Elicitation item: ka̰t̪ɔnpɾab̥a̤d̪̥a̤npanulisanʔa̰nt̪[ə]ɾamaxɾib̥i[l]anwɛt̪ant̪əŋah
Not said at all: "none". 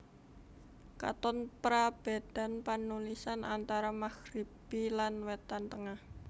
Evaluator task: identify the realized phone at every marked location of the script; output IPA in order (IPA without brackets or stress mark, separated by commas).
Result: a, l